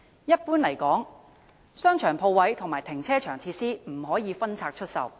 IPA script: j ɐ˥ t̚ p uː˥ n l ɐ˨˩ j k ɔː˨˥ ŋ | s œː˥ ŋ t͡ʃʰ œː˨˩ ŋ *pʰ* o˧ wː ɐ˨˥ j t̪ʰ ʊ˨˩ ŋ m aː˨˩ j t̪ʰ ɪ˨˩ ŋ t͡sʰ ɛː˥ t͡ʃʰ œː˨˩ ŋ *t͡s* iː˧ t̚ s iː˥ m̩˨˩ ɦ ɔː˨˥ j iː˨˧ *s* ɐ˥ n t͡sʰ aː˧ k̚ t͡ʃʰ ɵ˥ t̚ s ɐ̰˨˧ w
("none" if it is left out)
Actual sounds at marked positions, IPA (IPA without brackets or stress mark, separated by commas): pʰ, t͡sʰ, f